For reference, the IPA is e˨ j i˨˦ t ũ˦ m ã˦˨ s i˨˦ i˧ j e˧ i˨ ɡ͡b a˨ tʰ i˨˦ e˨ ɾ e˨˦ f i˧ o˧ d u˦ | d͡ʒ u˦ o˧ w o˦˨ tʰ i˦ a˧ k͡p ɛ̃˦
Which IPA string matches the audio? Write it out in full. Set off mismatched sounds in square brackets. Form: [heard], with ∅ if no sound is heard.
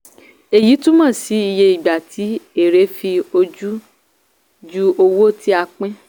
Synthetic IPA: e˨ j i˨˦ t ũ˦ m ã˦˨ s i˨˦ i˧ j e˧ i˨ ɡ͡b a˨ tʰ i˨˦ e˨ ɾ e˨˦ f i˧ o˧ [d͡ʒ] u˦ | d͡ʒ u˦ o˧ w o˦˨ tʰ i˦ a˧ k͡p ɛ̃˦